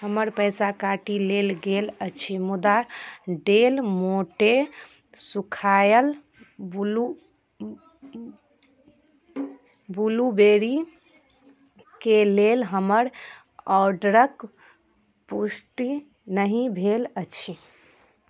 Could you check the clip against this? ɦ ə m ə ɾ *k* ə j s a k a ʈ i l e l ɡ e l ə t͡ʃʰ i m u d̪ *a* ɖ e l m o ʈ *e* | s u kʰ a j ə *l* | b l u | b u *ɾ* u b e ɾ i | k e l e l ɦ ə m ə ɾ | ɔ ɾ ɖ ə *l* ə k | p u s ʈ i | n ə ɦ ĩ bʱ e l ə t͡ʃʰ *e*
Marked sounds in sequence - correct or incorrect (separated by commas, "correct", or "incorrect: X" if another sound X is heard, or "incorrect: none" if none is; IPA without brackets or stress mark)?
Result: incorrect: p, correct, correct, correct, incorrect: l, incorrect: ɾ, incorrect: i